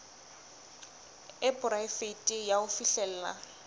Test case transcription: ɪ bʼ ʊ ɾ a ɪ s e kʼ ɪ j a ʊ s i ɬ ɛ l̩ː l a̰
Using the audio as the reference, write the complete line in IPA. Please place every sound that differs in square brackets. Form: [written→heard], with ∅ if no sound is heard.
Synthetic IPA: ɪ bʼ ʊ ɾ a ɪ [s→f] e [kʼ→tʼ] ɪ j a ʊ [s→f] i ɬ ɛ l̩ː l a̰